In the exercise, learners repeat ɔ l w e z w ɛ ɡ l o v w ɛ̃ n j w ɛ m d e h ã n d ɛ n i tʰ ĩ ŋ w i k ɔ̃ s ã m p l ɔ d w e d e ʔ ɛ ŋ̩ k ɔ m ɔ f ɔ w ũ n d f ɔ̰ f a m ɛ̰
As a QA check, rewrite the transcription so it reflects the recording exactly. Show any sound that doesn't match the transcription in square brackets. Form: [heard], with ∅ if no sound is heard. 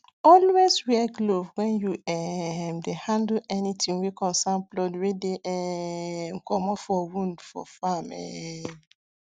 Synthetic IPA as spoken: ɔ l w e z w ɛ ɡ l o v w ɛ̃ n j [u] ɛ m d e h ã n d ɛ n i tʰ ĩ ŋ w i k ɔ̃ s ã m p l ɔ d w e d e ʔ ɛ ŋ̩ k ɔ m ɔ f ɔ w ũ n d f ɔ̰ f a m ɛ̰